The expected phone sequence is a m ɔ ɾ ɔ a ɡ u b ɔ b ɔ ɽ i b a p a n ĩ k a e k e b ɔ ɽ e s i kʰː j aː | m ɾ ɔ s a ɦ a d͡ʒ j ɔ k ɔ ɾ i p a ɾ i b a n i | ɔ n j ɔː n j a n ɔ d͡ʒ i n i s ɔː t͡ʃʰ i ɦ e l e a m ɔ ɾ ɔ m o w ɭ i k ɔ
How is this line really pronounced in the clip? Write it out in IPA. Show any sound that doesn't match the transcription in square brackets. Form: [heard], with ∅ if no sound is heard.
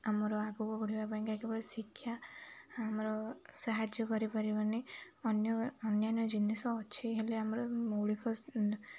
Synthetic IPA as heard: a m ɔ ɾ ɔ a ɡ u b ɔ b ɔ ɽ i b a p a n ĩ k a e k e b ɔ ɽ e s i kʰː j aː | m ɾ ɔ s a ɦ a d͡ʒ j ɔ k ɔ ɾ i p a ɾ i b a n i | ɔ n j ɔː n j a n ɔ d͡ʒ i n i s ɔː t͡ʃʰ i ɦ e l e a m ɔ ɾ ɔ m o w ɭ i k ɔ